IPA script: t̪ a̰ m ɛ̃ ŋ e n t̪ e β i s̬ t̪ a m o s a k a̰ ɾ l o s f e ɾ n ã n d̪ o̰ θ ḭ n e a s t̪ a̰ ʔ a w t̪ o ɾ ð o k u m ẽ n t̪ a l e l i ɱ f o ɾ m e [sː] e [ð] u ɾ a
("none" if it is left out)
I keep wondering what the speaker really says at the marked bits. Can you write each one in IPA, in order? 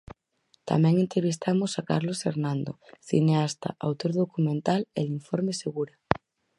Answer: s, ɣ

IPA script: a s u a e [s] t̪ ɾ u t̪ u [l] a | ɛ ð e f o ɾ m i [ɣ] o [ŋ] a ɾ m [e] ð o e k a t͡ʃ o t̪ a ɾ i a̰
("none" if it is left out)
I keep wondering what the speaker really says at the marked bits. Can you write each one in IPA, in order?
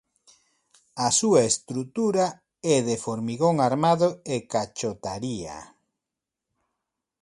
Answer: s, ɾ, ɣ, ŋ, a

